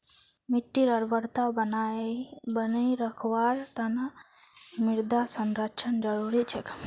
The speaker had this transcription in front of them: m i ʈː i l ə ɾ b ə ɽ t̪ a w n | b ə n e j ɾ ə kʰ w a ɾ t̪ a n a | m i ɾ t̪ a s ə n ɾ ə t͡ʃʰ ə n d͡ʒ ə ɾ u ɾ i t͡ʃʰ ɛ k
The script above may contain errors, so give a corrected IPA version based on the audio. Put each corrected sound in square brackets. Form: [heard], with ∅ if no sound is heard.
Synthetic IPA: m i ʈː i [ɾ] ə ɾ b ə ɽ t̪ a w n | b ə n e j ɾ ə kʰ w a ɾ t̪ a n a | m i ɾ [d̪] a s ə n ɾ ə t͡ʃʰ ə n d͡ʒ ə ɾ u ɾ i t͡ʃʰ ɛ k